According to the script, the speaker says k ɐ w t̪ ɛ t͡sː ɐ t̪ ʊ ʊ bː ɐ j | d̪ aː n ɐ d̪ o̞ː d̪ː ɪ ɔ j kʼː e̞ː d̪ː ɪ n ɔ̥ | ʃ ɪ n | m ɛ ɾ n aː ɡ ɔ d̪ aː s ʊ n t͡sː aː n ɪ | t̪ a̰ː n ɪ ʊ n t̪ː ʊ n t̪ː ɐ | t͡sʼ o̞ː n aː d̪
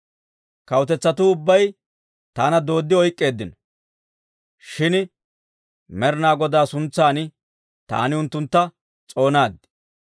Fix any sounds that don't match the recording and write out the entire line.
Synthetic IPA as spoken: k ɐ w t̪ ɛ t͡sː ɐ t̪ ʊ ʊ bː ɐ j | t̪ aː n ɐ d̪ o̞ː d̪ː ɪ ɔ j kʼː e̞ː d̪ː ɪ n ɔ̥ | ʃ ɪ n | m ɛ ɾ n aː ɡ ɔ d̪ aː s ʊ n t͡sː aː n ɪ | t̪ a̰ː n ɪ ʊ n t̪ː ʊ n t̪ː ɐ | t͡sʼ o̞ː n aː d̪